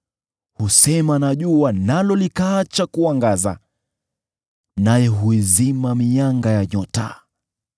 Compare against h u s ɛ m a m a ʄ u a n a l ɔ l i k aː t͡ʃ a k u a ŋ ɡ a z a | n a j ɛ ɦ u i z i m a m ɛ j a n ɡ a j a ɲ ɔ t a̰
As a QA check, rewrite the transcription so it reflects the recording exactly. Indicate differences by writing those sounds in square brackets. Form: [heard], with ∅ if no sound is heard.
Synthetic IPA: h u s ɛ m a [n] a ʄ u a n a l ɔ l i k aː t͡ʃ a k u a ŋ ɡ a z a | n a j ɛ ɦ u i z i m a m [i] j a [ŋ] ɡ a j a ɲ ɔ t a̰